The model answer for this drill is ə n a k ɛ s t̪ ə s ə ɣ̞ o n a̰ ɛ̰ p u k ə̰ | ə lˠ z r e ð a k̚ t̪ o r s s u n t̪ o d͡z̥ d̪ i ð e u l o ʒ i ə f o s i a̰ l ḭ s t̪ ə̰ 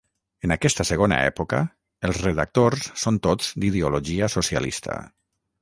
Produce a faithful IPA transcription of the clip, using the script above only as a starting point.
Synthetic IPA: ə n a k ɛ s t̪ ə s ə ɣ̞ o n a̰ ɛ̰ p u k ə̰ | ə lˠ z r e ð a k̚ t̪ o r s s o n t̪ o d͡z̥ d̪ i ð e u l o ʒ i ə s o s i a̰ l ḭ s t̪ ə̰